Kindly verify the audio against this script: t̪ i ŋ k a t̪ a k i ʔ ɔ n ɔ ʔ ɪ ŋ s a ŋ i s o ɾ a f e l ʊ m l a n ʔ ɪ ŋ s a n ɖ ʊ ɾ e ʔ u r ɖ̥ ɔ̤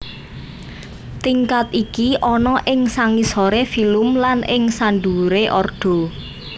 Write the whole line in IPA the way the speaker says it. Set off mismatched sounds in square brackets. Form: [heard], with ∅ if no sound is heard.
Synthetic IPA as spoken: t̪ i ŋ k a t̪ [i] k i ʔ ɔ n ɔ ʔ ɪ ŋ s a ŋ i s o ɾ [e] f [i] l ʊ m l a n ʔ ɪ ŋ s a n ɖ [u] ɾ e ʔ [ɔ] r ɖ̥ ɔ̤